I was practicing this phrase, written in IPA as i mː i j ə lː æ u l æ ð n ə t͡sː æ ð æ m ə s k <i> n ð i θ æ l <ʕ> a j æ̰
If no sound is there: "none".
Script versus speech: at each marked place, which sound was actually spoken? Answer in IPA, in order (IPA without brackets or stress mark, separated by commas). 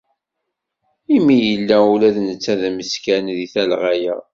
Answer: æ, ʁ